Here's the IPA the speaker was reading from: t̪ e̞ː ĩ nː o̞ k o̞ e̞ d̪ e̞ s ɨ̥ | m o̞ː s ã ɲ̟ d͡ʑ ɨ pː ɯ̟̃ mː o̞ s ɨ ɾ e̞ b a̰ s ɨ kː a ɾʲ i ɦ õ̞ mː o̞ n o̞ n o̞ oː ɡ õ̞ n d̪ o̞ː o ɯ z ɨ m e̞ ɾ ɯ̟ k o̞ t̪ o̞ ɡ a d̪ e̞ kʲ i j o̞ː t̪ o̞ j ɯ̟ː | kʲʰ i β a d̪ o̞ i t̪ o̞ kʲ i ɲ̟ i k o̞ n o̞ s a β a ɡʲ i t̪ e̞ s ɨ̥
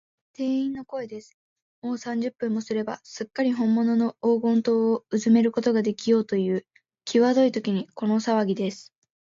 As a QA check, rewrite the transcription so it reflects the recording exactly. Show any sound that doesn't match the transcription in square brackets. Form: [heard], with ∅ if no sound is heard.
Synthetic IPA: t̪ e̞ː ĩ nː o̞ k o̞ e̞ d̪ e̞ s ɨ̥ | m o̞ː s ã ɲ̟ d͡ʑ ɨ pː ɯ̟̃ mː o̞ s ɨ ɾ e̞ b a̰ s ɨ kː a ɾʲ i ɦ õ̞ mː o̞ n o̞ n o̞ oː ɡ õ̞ n [t̪] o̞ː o ɯ z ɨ m e̞ ɾ ɯ̟ k o̞ t̪ o̞ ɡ a d̪ e̞ kʲ i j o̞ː t̪ o̞ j ɯ̟ː | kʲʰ i β a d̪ o̞ i t̪ o̞ kʲ i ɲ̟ i k o̞ n o̞ s a β a ɡʲ i [d̪] e̞ s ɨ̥